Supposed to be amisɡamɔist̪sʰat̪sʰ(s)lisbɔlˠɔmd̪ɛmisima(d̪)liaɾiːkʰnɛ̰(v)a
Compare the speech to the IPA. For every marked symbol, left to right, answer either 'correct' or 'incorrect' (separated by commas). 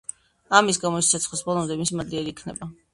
incorrect, correct, incorrect